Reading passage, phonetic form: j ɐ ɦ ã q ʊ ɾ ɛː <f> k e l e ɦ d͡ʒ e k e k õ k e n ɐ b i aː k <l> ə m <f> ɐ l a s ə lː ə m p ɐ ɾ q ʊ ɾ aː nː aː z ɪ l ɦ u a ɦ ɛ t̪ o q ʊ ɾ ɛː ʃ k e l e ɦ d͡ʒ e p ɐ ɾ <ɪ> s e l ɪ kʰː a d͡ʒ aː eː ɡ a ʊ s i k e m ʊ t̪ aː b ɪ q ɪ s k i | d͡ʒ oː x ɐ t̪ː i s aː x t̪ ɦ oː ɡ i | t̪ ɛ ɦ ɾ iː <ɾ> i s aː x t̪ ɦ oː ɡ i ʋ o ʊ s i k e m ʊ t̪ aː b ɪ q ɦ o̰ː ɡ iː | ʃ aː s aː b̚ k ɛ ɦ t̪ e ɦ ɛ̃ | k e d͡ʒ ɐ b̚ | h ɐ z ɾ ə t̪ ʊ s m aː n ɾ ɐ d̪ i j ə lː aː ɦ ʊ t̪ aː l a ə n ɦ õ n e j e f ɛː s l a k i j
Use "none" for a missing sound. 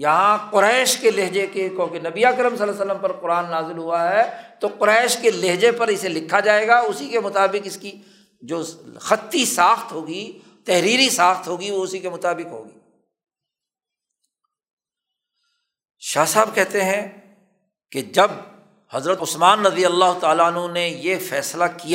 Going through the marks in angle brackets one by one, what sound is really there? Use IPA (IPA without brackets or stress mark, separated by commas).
ʃ, ɾ, s, ɪ, ɾ